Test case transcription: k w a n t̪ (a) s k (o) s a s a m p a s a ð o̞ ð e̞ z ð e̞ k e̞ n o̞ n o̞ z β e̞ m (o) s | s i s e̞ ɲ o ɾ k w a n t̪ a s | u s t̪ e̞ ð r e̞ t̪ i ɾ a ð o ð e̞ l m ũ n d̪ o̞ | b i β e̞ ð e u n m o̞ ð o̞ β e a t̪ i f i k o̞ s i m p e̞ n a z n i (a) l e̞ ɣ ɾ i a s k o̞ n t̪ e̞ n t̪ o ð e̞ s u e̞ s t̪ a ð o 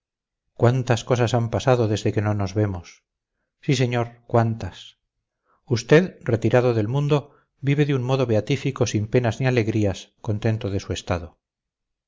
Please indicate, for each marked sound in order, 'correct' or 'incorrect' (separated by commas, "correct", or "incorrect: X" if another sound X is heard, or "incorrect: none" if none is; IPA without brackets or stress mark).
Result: correct, correct, correct, correct